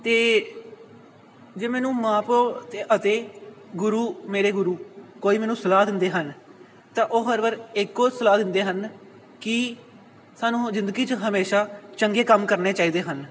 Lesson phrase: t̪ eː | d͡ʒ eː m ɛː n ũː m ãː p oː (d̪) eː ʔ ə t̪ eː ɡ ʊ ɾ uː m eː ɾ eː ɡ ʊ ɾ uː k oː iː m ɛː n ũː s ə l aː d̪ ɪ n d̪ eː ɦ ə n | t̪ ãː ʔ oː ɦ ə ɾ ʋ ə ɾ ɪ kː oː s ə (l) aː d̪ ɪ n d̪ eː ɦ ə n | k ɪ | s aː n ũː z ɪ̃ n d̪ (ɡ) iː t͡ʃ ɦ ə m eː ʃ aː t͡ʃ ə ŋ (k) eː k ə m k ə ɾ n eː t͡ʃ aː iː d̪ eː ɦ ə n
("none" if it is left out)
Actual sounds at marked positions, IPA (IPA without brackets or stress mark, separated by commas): t̪, l, ɡ, ɡ